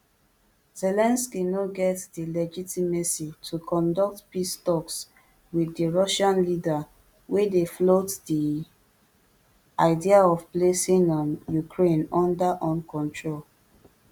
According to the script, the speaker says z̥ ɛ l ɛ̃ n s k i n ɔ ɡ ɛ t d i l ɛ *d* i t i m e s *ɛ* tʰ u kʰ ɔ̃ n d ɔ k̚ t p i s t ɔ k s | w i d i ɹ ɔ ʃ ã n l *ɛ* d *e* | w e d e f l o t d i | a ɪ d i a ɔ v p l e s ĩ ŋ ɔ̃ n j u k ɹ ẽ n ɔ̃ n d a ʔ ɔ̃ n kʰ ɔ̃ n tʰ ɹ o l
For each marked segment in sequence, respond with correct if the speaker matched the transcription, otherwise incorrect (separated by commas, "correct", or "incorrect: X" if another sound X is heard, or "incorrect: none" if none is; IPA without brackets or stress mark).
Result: incorrect: d͡ʒ, incorrect: i, incorrect: i, incorrect: a